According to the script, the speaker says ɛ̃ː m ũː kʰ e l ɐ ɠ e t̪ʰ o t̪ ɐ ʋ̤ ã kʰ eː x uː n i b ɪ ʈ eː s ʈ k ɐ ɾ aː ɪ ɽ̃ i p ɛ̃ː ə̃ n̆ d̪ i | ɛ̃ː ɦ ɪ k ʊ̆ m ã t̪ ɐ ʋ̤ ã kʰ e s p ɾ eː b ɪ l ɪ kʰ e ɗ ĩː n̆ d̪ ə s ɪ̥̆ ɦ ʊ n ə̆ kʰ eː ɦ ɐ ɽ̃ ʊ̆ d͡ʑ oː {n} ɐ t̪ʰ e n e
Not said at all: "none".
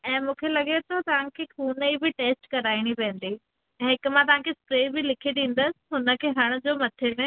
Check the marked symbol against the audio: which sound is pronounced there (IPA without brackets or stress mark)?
m